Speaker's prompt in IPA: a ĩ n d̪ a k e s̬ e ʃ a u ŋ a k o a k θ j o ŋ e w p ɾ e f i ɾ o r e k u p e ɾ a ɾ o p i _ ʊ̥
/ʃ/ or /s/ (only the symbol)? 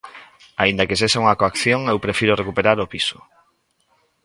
s